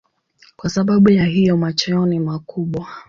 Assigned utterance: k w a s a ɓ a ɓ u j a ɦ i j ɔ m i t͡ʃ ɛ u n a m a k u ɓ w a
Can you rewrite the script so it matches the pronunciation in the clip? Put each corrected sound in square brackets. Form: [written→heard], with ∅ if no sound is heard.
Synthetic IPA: k w a s a ɓ a ɓ u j a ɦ i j ɔ m [i→a] t͡ʃ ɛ [u→ɔ] n [a→i] m a k u ɓ w a